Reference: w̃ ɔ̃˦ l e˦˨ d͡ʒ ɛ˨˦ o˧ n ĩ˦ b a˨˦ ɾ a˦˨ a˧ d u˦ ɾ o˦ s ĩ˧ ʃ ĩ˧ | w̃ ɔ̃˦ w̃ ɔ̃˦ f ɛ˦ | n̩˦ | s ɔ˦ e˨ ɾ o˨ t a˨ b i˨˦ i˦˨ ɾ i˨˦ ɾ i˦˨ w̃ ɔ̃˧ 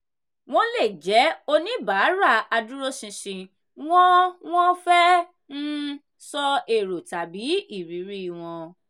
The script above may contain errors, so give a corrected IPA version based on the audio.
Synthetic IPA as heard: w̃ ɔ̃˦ l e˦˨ d͡ʒ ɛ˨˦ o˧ n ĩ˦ b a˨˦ ɾ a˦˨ a˧ d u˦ ɾ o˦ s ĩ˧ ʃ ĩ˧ | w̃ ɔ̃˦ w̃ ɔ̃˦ f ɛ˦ | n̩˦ | s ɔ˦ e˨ ɾ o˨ t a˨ b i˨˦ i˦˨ ɾ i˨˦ ɾ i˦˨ w̃ ɔ̃˧

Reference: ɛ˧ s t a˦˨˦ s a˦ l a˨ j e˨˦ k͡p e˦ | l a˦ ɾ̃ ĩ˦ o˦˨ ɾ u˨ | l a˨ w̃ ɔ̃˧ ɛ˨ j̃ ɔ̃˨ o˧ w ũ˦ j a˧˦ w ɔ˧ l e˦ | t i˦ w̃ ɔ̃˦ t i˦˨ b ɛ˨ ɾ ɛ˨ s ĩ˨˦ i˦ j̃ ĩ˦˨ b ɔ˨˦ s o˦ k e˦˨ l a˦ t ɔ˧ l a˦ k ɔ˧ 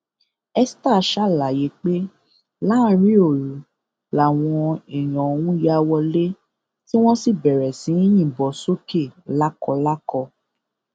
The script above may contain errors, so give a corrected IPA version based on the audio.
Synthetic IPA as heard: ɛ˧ s t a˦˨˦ ʃ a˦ l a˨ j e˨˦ k͡p e˦ | l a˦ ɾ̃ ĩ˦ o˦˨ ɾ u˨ | l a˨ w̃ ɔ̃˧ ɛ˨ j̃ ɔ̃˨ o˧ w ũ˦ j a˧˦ w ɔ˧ l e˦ | t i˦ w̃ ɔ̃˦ s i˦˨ b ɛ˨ ɾ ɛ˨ s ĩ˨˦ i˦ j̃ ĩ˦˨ b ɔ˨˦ s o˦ k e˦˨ l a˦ k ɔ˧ l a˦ k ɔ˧

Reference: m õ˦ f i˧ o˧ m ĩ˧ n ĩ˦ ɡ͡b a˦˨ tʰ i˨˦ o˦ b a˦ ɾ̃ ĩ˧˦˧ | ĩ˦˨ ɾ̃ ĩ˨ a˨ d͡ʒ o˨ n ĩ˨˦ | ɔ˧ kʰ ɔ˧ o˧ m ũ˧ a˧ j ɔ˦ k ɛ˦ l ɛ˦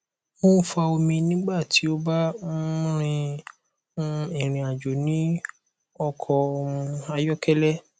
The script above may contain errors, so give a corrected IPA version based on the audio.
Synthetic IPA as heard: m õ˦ f a˧ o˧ m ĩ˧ n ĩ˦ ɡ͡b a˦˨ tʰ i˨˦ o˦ b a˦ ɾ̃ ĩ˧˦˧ | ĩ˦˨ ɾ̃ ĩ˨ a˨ d͡ʒ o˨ n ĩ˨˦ | ɔ˧ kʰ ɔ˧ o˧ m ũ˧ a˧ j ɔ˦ k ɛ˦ l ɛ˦

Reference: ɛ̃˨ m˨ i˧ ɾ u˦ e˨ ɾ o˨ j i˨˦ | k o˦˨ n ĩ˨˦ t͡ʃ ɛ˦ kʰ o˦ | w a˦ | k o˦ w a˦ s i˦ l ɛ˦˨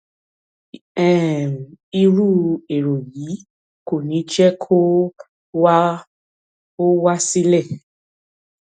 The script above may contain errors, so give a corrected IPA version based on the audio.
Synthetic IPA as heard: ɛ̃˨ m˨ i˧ ɾ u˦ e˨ ɾ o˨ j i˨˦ | k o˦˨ n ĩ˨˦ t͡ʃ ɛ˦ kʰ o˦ | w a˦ | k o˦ w a˦ s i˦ l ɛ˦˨

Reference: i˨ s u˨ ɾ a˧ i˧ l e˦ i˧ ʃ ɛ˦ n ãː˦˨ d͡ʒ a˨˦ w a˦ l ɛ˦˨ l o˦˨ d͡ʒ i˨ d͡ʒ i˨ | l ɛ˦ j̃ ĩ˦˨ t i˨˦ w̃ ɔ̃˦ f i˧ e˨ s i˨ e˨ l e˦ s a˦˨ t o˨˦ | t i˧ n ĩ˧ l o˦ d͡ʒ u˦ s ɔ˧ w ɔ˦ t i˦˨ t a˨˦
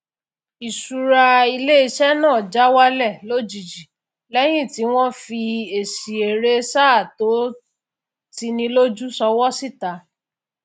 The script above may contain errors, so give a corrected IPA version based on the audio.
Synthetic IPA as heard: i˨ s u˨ ɾ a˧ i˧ l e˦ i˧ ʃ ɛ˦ n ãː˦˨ d͡ʒ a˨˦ w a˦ l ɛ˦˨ l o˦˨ d͡ʒ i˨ d͡ʒ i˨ | l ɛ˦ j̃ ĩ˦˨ t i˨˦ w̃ ɔ̃˦ f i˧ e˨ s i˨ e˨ ɾ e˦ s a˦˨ t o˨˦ | t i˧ n ĩ˧ l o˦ d͡ʒ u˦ s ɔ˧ w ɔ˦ s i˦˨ t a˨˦

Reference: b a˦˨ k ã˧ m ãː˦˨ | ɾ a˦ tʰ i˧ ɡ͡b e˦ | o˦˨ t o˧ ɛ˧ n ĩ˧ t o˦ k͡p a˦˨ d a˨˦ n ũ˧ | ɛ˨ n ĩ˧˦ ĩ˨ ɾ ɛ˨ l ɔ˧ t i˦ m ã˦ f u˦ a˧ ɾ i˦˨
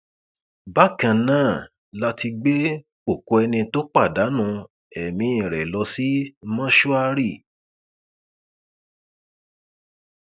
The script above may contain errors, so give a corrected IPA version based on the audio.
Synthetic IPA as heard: b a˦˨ k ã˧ n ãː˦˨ | l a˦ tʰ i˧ ɡ͡b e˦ | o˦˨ k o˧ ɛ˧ n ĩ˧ t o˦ k͡p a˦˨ d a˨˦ n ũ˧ | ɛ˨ m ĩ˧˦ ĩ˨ ɾ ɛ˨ l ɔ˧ s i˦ m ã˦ ʃ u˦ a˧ ɾ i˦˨

